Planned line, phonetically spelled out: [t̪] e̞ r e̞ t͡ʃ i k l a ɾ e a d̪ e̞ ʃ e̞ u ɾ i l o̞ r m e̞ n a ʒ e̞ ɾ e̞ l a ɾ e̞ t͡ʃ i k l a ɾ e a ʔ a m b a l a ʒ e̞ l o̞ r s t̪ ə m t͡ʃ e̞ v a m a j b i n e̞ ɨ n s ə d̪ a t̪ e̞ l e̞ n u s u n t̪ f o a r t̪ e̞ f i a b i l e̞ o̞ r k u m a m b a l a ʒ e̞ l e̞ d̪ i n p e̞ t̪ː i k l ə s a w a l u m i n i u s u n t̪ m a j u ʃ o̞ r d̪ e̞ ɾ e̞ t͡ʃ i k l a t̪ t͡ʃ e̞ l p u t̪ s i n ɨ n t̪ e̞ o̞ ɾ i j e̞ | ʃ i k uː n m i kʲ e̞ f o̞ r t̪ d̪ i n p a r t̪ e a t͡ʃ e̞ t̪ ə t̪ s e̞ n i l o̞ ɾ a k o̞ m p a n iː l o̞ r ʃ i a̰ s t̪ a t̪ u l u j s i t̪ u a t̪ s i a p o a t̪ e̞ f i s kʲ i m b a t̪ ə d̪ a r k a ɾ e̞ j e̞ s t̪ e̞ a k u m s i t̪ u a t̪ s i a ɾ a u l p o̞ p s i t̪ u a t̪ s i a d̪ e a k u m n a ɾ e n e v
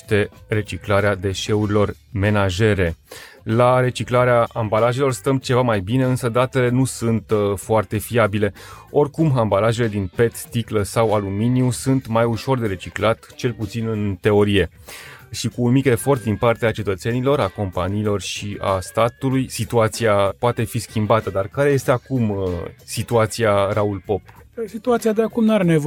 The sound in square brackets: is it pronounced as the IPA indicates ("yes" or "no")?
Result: yes